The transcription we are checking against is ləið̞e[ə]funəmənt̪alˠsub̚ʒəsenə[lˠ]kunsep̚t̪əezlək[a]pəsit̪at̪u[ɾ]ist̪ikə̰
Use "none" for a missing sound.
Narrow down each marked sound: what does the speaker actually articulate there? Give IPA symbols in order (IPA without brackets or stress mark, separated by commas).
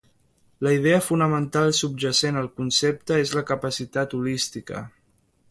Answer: ə, lˠ, ə, l